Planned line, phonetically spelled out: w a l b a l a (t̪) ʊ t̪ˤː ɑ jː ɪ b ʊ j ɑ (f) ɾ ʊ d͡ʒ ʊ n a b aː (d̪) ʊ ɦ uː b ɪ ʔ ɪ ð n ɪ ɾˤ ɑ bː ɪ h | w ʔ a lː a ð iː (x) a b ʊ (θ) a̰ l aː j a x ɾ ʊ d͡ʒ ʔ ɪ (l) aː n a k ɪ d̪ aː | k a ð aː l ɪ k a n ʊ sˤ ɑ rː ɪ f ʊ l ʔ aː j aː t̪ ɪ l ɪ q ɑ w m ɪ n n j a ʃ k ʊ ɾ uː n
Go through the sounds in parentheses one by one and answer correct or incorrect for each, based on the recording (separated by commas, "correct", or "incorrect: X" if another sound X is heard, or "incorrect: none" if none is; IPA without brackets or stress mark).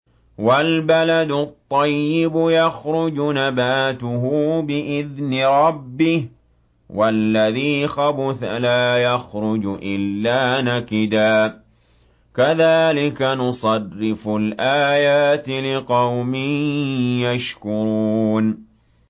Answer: incorrect: d̪, incorrect: x, incorrect: t̪, correct, correct, incorrect: lː